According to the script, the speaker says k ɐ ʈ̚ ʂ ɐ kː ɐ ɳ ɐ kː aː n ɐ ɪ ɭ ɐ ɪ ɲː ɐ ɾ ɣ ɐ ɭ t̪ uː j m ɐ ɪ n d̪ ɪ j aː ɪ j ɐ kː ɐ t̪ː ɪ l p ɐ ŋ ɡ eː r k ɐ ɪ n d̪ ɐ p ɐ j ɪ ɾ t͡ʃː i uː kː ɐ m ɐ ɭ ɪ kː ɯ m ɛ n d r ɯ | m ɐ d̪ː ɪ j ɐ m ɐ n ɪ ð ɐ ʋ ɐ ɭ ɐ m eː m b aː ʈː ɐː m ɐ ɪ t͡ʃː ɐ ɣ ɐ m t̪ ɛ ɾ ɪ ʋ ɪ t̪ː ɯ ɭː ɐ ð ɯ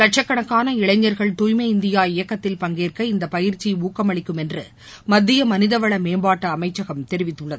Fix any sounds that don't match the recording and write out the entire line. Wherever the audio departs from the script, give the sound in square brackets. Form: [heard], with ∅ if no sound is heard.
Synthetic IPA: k ɐ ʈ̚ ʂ ɐ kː ɐ ɳ ɐ kː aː n ɐ ɪ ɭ ɐ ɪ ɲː ɐ ɾ ɣ ɐ ɭ t̪ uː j m ɐ ɪ n d̪ ɪ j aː ɪ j ɐ kː ɐ t̪ː ɪ l p ɐ ŋ ɡ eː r k ɐ ɪ n d̪ ɐ p ɐ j ɪ ɾ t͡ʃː i uː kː ɐ m ɐ ɭ ɪ kː ɯ m ɛ n d r ɯ | m ɐ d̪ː ɪ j ɐ m ɐ n ɪ ð ɐ ʋ ɐ ɭ ɐ m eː m b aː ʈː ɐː m ɐ ɪ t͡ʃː ɐ ɣ ɐ m t̪ ɛ ɾ ɪ ʋ ɪ t̪ː ɯ ɭː ɐ ð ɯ